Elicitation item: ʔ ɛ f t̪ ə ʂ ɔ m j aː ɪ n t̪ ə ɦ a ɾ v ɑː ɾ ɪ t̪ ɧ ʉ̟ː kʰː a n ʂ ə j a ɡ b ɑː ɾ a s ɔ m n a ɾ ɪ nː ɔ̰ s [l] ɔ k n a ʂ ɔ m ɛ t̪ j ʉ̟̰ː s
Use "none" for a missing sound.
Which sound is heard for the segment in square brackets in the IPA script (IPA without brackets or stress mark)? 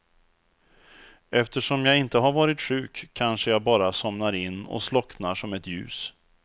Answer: l